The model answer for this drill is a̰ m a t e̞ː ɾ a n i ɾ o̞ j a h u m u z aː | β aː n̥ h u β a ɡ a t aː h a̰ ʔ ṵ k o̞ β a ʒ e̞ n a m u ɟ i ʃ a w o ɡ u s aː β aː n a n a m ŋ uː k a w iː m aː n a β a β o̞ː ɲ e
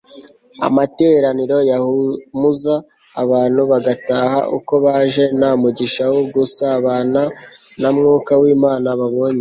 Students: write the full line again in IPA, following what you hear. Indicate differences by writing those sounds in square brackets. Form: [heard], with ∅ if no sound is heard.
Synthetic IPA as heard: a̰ m a t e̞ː ɾ a n i ɾ o̞ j a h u m u z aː | β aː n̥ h u β a ɡ a t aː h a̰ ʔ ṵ k o̞ β a ʒ e̞ n a m u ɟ i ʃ a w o ɡ u s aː β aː n a n a m ŋ uː k a w iː m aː n a β a β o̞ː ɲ e